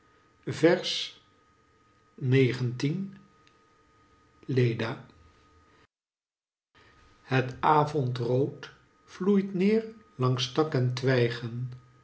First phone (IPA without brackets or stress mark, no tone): v